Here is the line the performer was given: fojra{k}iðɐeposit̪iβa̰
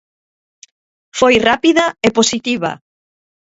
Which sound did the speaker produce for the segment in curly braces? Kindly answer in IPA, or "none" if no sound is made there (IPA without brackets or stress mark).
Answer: p